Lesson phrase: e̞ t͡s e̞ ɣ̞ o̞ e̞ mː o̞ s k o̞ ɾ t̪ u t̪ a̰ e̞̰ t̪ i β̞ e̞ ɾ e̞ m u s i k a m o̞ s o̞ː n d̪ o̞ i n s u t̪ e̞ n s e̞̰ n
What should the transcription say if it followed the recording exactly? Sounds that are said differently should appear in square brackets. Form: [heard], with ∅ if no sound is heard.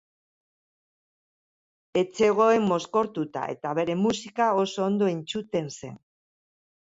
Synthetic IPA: e̞ t͡s e̞ ɣ̞ o̞ e̞ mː o̞ s k o̞ ɾ t̪ u t̪ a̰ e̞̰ t̪ [a] β̞ e̞ ɾ e̞ m u s i k a [∅] o̞ s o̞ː n d̪ o̞ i n [t͡s] u t̪ e̞ n s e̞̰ n